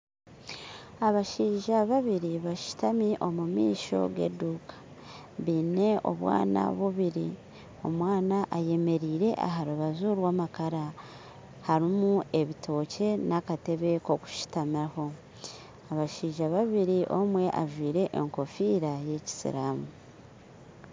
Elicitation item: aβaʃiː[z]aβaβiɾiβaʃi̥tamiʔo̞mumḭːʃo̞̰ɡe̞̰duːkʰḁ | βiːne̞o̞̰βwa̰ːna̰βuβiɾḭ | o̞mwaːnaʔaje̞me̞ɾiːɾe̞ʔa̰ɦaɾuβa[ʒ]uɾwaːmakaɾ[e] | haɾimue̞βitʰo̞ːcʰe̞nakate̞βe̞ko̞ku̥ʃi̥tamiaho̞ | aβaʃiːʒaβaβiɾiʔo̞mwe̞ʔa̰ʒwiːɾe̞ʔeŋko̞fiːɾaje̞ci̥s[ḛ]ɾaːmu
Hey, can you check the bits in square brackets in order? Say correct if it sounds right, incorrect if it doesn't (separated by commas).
incorrect, incorrect, incorrect, incorrect